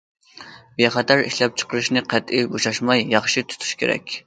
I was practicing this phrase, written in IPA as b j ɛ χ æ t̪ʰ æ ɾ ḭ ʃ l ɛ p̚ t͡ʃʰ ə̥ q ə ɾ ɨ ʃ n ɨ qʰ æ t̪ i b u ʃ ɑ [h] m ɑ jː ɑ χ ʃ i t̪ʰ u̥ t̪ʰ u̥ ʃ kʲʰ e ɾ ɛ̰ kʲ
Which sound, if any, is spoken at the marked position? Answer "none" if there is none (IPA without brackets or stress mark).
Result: ʃ